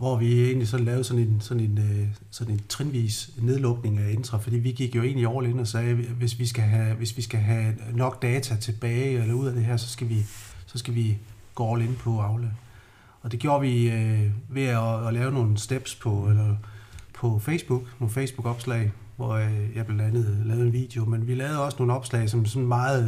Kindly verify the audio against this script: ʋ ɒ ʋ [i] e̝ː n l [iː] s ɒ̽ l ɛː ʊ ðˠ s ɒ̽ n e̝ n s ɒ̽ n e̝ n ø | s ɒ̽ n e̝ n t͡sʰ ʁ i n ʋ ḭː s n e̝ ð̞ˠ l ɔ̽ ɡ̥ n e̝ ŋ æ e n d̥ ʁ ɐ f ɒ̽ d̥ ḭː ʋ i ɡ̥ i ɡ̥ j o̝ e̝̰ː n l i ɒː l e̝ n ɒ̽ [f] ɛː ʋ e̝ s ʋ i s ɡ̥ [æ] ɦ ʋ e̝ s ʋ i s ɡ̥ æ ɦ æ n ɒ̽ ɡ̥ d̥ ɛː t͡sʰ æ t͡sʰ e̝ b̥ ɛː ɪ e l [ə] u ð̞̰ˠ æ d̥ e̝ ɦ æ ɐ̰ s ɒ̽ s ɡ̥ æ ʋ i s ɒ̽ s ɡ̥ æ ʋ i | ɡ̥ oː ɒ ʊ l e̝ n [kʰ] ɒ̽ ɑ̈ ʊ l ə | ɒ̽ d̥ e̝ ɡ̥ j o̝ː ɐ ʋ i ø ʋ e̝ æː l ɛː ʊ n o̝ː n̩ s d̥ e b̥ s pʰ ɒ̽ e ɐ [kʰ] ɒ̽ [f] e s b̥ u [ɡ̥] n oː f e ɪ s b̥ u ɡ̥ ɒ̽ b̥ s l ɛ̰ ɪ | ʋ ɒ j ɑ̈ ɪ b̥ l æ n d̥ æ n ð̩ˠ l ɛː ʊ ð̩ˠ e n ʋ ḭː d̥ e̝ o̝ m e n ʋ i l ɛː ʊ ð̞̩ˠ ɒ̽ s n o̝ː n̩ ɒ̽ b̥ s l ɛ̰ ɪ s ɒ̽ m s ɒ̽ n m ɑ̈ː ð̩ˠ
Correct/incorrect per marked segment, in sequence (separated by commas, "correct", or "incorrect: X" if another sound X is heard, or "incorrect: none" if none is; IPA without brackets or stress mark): correct, incorrect: i, incorrect: s, correct, incorrect: ɐ, incorrect: pʰ, incorrect: pʰ, correct, correct